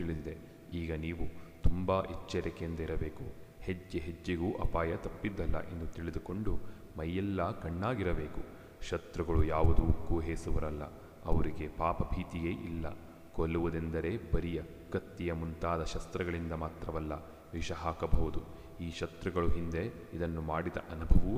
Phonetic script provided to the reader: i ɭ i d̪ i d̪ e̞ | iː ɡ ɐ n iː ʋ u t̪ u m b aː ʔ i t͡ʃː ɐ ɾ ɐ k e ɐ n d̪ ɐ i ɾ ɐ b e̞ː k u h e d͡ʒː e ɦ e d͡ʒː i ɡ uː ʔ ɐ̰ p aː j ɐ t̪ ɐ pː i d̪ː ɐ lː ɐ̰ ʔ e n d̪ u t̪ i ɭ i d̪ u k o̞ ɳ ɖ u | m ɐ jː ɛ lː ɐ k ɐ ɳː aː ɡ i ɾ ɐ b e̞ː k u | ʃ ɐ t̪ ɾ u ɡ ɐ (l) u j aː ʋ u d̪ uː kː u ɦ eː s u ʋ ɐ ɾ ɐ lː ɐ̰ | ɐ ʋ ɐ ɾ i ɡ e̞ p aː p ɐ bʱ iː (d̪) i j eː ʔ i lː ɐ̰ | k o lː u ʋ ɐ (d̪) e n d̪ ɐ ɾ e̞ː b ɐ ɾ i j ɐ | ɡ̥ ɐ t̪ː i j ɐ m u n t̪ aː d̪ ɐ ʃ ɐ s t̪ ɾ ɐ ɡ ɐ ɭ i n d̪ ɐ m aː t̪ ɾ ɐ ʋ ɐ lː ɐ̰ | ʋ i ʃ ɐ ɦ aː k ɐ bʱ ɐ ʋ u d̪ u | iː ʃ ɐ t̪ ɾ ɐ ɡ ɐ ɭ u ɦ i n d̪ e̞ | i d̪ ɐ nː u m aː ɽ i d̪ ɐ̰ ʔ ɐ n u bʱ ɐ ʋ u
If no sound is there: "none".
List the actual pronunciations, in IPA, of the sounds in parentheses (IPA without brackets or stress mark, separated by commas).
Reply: ɭ, t̪, d̪